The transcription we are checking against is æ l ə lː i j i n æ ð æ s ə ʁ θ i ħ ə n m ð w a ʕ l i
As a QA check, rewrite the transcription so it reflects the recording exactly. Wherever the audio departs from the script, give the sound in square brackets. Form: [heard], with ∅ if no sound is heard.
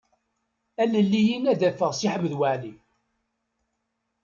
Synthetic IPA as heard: æ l ə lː i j i n æ ð æ [f] ə ʁ [s] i ħ ə [∅] m ð w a ʕ l i